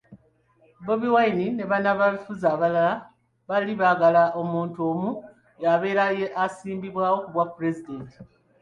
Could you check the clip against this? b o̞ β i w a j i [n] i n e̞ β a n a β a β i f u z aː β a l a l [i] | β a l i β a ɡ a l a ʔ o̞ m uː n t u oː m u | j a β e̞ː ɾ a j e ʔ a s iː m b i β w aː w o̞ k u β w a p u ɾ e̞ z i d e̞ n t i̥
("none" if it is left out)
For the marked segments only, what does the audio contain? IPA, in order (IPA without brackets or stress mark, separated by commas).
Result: n, a